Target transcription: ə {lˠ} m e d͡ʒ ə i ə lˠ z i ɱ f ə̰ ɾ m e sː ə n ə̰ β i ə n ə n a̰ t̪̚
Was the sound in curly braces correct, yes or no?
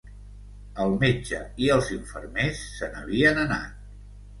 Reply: yes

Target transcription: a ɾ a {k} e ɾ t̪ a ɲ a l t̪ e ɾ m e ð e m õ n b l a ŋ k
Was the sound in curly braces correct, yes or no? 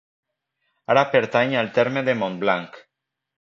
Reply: no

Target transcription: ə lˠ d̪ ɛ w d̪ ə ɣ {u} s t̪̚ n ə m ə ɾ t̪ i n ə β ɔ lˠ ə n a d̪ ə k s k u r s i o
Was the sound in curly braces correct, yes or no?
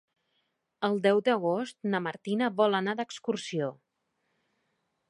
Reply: no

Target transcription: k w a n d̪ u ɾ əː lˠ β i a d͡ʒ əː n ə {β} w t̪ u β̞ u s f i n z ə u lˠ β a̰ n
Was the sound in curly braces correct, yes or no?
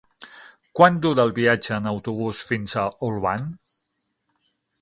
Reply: no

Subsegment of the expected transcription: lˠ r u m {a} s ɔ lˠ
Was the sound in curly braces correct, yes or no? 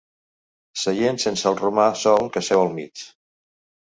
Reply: yes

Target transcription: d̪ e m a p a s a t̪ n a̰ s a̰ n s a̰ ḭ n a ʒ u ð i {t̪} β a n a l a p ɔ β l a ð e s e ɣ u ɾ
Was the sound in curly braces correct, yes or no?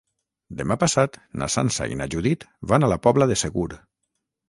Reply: yes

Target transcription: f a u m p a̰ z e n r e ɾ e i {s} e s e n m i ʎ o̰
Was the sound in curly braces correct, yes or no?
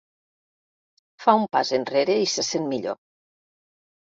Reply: yes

